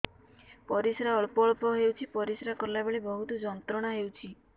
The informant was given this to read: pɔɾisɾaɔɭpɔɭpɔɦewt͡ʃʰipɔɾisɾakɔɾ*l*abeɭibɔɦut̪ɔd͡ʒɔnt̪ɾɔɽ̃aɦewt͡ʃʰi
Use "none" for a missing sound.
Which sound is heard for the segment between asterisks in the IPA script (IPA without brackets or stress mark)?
l